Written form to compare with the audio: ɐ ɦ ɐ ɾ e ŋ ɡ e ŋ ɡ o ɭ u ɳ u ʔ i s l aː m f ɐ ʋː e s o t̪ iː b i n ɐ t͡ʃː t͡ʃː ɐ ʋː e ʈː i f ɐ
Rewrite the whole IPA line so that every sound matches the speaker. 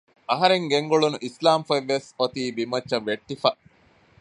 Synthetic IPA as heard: ɐ ɦ ɐ ɾ e ŋ ɡ e ŋ ɡ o ɭ u n u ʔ i s l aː m f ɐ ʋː e s o t̪ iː b i m ɐ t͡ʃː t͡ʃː ɐ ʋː e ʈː i f ɐ